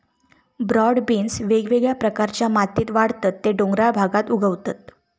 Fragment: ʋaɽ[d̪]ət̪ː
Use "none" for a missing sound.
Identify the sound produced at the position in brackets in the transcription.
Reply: t̪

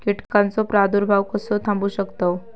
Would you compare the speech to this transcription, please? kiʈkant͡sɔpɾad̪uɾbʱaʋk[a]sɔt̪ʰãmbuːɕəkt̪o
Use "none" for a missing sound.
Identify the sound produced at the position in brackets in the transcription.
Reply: ə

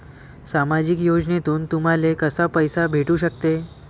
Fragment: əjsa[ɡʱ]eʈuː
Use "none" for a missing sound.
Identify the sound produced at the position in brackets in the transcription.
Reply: bʱ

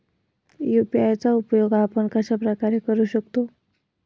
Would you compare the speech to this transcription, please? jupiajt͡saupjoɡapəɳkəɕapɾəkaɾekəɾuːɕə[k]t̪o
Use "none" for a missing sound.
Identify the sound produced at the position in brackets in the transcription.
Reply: k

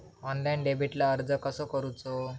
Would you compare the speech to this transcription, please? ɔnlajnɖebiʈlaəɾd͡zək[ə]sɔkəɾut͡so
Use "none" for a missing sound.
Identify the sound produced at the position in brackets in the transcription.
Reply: ə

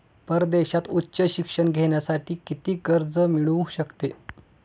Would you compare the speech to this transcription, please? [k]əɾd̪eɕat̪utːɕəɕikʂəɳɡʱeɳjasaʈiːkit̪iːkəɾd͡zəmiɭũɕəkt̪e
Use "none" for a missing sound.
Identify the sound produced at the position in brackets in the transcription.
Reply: p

